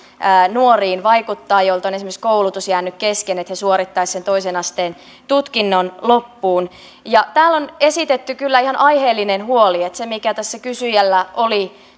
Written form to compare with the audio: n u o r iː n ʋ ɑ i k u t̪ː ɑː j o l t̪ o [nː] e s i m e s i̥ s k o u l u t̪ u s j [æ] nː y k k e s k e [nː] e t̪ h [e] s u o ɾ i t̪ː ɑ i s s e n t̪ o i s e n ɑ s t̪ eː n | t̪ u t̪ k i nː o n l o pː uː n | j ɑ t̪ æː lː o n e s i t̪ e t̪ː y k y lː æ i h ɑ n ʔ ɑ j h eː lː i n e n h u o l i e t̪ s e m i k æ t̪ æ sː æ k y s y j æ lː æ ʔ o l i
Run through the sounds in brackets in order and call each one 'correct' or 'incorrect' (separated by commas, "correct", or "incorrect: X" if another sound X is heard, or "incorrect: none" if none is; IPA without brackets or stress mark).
incorrect: n, incorrect: æː, incorrect: n, correct